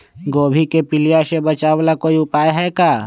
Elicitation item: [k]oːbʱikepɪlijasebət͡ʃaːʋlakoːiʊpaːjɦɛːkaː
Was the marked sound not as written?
yes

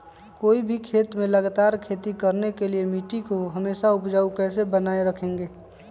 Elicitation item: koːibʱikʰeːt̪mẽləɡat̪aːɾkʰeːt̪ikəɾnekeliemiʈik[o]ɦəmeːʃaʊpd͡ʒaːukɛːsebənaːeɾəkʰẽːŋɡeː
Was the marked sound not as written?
no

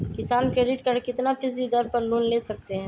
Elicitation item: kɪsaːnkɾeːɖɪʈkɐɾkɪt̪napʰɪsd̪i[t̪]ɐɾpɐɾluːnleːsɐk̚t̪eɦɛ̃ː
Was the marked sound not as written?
yes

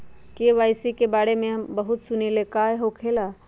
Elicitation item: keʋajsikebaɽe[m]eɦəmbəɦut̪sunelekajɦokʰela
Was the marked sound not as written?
no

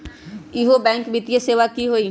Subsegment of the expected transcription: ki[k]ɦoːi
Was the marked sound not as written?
yes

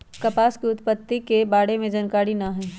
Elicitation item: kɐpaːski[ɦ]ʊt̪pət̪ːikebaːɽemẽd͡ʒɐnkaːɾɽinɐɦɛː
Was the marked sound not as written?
yes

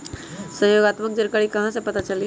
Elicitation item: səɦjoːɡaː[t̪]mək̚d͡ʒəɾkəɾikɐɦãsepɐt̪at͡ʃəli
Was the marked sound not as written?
no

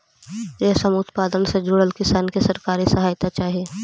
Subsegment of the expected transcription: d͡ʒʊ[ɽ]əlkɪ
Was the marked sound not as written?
no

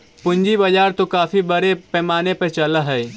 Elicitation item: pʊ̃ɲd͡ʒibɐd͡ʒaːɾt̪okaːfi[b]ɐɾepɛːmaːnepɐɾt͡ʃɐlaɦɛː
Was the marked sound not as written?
no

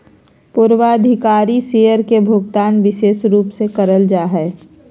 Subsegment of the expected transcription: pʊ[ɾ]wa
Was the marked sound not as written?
no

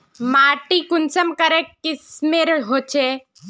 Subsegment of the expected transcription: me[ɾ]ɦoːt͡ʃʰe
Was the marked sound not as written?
no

